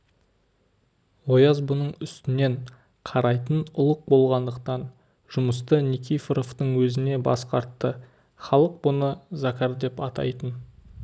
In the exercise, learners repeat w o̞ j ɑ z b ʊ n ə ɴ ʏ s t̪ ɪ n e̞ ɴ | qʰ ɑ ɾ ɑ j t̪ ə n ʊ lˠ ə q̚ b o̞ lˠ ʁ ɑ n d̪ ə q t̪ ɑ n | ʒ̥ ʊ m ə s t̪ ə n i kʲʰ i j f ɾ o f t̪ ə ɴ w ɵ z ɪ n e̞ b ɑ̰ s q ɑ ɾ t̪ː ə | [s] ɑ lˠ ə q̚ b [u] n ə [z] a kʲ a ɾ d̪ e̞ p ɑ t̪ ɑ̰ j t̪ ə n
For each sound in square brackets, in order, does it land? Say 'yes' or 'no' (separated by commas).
no, no, yes